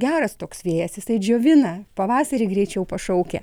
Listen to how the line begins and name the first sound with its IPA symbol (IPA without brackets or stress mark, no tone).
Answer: ɡʲ